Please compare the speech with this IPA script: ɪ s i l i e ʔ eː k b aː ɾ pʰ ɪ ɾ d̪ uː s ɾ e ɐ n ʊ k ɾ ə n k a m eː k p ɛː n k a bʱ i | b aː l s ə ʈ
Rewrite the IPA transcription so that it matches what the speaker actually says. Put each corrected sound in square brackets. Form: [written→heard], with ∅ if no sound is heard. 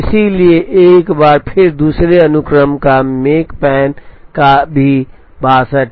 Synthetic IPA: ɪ s i l i e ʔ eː k b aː ɾ pʰ ɪ ɾ d̪ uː s ɾ e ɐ n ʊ k ɾ ə [n→m] k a m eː k p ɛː n k a bʱ i | b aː [l→∅] s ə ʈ